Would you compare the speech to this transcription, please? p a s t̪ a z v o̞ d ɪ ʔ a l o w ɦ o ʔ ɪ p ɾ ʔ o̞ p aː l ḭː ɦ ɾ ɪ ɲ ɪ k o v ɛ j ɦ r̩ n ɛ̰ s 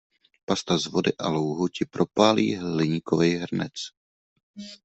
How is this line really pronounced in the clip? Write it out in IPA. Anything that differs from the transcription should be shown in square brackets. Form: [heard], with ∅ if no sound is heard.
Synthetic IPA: p a s t̪ a z v o̞ d ɪ ʔ a l o w ɦ o [c] ɪ p ɾ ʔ o̞ p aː l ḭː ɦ [l] ɪ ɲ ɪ k o v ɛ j ɦ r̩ n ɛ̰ [t͡s]